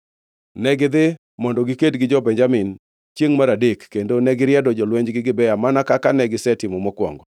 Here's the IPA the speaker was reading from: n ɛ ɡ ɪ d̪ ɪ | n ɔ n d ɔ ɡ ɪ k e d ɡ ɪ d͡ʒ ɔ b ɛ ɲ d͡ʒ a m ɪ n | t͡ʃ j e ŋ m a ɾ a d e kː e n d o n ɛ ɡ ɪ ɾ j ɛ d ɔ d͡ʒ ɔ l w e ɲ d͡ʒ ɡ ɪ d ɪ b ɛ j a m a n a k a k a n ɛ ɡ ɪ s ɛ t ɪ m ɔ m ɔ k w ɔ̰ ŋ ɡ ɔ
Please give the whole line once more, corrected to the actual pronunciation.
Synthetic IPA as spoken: n ɛ ɡ ɪ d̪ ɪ | m ɔ n d ɔ ɡ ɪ k e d ɡ ɪ d͡ʒ ɔ b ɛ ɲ d͡ʒ a m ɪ n | t͡ʃ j e ŋ m a ɾ a d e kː e n d o n ɛ ɡ ɪ ɾ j ɛ d ɔ d͡ʒ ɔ l w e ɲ d͡ʒ ɡ ɪ ɡ ɪ b ɛ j a m a n a k a k a n ɛ ɡ ɪ s ɛ t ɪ m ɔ m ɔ k w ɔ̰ ŋ ɡ ɔ